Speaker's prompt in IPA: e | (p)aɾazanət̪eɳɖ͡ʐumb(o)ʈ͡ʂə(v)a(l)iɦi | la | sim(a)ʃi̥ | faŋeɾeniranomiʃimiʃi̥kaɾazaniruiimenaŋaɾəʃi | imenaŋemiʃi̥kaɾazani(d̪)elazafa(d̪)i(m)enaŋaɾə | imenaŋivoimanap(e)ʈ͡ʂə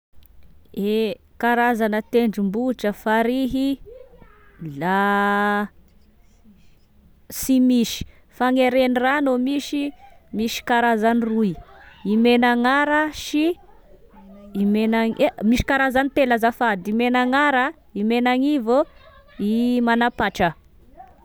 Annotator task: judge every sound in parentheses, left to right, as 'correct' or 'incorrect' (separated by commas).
incorrect, incorrect, incorrect, incorrect, incorrect, incorrect, correct, correct, incorrect